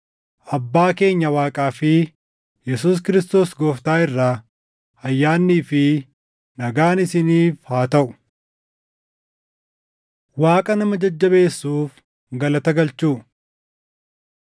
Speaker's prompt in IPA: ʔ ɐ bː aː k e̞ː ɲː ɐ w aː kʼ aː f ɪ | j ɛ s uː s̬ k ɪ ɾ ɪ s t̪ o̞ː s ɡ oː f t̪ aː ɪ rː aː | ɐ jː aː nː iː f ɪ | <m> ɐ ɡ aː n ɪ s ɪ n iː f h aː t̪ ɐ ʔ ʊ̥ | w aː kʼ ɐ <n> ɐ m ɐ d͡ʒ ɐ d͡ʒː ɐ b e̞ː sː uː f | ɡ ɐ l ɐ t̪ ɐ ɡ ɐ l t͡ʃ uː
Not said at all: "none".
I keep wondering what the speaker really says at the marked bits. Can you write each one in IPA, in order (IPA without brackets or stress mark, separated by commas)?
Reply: n, n